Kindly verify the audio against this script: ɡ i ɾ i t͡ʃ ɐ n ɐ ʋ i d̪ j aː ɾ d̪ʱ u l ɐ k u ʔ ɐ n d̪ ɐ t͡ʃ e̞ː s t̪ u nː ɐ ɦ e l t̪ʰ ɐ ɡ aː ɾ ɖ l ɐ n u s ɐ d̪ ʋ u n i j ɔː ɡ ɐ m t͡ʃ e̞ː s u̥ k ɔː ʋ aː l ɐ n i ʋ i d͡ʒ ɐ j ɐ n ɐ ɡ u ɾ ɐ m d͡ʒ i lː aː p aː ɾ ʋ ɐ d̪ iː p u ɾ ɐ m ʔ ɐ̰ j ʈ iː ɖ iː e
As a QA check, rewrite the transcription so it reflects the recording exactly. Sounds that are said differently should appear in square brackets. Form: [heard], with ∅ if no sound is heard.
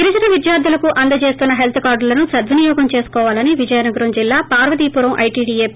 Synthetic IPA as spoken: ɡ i ɾ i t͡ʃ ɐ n ɐ ʋ i d̪ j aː ɾ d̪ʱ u l ɐ k u ʔ ɐ n d̪ ɐ t͡ʃ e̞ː s t̪ u nː ɐ ɦ e l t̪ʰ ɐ [k] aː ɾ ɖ l ɐ n u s ɐ d̪ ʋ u n i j ɔː ɡ ɐ m t͡ʃ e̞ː s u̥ k ɔː ʋ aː l ɐ n i ʋ i d͡ʒ ɐ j ɐ n ɐ ɡ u ɾ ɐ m d͡ʒ i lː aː p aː ɾ ʋ ɐ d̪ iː p u ɾ ɐ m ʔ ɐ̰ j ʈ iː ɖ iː e